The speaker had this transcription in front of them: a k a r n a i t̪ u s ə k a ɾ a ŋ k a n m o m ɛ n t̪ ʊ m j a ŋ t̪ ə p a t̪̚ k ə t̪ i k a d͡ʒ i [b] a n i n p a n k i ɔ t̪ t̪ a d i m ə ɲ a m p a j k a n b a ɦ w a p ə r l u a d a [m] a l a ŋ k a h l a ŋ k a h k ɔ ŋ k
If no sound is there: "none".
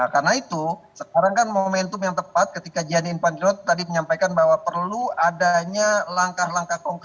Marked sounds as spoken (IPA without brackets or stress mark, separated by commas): none, ɲ